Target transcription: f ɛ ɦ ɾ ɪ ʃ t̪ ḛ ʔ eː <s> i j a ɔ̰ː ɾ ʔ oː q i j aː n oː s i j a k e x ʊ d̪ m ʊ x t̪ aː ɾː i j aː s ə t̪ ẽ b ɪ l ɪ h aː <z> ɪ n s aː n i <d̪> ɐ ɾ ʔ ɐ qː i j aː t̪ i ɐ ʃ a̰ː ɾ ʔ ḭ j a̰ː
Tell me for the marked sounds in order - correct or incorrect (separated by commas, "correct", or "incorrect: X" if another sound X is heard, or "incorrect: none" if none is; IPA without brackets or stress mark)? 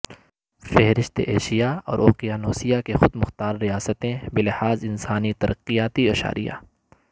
incorrect: ʃ, correct, incorrect: t̪